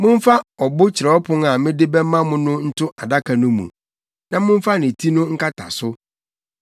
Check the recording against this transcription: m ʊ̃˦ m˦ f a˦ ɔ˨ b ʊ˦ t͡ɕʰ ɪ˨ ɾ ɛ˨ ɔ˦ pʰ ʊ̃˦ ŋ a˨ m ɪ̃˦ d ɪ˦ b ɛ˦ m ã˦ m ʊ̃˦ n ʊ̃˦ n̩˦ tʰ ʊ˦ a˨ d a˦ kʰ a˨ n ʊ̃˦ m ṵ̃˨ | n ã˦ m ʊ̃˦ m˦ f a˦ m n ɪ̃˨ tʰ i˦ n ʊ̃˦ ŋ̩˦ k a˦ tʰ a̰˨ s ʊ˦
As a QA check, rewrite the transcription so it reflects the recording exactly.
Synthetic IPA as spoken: m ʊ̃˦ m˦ f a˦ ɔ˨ b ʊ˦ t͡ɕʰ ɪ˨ ɾ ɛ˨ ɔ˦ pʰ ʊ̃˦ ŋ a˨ m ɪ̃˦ d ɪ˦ b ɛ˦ m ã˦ m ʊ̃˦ n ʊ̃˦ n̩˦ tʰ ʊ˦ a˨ d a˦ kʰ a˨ n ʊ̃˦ m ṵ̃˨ | n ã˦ m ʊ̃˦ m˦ f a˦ n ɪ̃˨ tʰ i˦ n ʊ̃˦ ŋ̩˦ k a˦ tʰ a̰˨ s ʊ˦